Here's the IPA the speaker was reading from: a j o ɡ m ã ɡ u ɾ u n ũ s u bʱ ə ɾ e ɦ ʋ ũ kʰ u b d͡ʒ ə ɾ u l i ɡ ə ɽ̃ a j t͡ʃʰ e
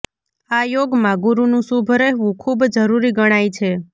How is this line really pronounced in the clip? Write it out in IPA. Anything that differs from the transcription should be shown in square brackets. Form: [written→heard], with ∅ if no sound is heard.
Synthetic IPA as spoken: a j o ɡ m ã ɡ u ɾ u n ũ s u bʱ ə ɾ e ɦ ʋ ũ kʰ u b d͡ʒ ə ɾ u [l→ɾ] i ɡ ə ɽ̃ a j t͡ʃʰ e